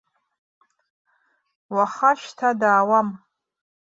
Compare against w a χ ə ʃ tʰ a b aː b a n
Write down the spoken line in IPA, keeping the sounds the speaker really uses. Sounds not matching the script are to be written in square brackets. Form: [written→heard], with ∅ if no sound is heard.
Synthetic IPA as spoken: w a χ [ə→a] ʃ tʰ a [b→d] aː [b→w] a [n→m]